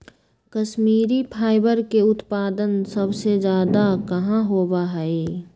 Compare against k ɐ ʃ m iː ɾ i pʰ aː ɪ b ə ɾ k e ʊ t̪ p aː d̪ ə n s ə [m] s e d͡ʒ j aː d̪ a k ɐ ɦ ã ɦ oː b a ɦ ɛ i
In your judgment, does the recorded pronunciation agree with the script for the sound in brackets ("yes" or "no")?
no